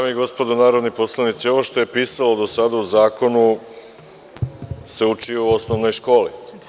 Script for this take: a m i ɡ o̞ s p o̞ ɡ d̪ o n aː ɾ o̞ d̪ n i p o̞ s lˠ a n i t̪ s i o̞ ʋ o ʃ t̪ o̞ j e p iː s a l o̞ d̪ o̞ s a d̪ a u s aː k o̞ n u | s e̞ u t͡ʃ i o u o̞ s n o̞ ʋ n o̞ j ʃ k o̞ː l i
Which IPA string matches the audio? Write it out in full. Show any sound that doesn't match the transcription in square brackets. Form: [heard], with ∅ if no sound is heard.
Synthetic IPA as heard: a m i ɡ o̞ s p o̞ [∅] d̪ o n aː ɾ o̞ d̪ n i p o̞ s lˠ a n i t̪ s i o̞ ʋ o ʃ t̪ o̞ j e p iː s a l o̞ d̪ o̞ s a d̪ a u [z] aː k o̞ n u | s e̞ u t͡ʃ i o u o̞ s n o̞ ʋ n o̞ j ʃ k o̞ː l i